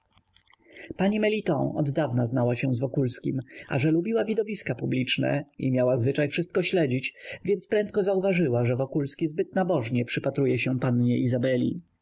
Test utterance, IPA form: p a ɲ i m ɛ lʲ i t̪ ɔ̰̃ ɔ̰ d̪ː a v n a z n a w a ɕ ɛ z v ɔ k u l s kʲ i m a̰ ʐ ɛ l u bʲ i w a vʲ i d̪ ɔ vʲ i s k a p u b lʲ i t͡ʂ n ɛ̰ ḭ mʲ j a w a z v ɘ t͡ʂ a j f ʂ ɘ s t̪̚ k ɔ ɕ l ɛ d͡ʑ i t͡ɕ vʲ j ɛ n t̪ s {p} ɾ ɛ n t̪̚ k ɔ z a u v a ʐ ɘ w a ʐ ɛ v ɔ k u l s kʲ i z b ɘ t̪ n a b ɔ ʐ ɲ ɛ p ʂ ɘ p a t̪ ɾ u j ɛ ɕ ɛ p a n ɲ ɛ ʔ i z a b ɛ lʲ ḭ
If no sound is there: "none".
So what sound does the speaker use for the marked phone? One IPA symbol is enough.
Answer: p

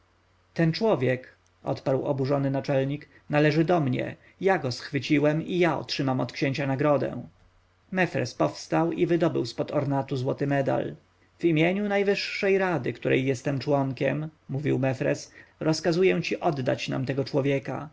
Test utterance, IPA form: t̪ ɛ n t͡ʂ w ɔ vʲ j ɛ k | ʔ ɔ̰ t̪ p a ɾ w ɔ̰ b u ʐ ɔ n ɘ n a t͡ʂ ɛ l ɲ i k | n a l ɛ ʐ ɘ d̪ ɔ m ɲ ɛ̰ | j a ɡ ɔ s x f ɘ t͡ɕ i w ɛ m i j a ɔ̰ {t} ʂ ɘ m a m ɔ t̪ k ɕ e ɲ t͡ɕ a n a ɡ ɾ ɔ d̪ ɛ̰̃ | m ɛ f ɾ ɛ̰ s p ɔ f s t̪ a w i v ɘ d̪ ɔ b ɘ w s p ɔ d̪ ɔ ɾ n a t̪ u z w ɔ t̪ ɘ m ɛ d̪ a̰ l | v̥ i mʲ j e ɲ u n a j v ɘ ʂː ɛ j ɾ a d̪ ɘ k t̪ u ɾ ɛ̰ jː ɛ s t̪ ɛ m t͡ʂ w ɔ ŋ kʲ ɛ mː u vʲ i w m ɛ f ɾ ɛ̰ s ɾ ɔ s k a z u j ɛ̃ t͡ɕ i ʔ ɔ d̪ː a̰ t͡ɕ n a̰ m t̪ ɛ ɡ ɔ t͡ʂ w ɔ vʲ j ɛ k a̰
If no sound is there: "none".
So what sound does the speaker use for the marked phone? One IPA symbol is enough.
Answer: t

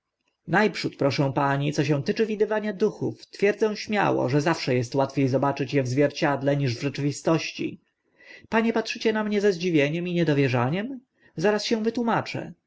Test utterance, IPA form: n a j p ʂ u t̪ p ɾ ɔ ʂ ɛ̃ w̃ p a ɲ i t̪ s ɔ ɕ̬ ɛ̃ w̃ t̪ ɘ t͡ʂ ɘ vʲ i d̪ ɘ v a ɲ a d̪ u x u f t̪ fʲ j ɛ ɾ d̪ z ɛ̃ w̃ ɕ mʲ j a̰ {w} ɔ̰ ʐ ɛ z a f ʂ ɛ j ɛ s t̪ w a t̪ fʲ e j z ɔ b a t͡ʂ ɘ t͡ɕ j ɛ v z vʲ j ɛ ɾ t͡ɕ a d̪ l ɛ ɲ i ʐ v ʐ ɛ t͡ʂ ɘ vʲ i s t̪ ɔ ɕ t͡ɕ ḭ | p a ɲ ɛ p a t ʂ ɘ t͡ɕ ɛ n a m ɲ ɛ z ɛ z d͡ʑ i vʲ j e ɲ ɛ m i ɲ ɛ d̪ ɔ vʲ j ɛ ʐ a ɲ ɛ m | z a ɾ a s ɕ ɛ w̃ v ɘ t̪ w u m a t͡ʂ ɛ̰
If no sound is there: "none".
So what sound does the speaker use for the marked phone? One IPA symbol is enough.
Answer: w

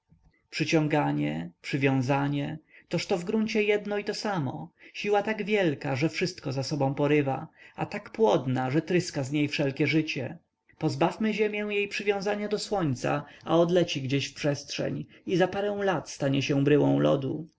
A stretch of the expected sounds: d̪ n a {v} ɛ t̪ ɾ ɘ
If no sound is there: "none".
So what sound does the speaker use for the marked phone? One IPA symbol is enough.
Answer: ʐ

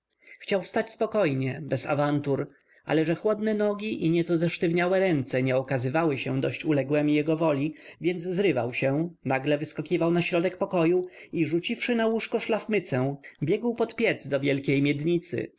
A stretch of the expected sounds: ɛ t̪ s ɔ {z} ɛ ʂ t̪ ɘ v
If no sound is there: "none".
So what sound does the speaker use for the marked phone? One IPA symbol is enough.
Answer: z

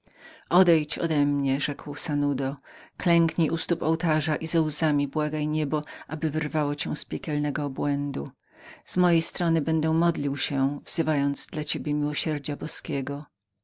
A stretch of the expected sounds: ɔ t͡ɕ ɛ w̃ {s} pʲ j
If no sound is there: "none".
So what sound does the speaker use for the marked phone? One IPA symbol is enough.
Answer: s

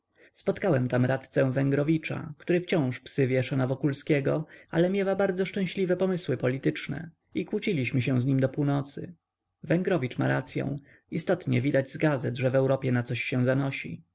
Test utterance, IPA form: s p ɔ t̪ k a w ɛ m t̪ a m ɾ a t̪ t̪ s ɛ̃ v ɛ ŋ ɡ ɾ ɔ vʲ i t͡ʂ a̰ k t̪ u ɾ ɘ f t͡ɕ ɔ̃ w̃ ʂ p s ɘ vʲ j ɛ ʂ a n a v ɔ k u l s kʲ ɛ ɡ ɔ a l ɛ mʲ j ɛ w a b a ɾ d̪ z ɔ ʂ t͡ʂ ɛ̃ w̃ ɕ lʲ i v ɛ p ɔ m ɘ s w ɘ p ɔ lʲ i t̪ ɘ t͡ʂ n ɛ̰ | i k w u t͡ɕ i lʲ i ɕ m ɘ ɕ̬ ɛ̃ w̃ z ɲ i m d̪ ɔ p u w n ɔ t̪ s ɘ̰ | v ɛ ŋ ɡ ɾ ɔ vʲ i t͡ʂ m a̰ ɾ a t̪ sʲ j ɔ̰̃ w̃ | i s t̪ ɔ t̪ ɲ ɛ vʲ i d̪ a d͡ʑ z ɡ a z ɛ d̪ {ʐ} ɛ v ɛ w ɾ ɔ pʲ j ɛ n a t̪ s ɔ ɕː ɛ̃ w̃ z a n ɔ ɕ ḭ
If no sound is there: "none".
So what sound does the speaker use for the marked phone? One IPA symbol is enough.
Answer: ʐ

